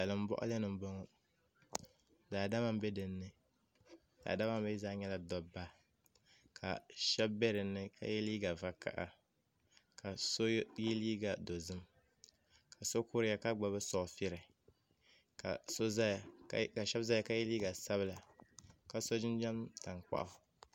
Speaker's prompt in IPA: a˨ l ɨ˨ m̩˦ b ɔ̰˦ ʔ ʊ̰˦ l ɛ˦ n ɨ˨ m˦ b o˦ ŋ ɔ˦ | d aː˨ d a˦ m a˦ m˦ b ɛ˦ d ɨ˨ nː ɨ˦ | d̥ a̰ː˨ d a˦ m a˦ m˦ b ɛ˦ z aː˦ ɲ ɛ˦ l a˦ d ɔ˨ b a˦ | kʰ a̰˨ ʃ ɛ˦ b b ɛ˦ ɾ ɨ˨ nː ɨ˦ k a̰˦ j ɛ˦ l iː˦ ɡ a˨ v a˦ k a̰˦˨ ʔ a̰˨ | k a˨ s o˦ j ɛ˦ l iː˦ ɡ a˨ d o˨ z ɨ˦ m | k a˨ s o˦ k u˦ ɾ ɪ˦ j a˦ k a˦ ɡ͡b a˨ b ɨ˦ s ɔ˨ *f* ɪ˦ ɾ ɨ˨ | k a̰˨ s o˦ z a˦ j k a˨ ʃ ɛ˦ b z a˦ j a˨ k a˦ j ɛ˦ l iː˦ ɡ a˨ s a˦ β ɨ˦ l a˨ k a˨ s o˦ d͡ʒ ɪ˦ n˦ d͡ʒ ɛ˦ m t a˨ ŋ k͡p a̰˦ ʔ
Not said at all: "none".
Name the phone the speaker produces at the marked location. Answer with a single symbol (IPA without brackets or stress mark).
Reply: f